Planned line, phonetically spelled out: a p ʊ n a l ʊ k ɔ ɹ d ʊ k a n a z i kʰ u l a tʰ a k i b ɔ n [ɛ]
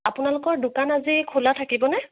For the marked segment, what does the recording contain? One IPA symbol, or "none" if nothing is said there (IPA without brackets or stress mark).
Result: ɛ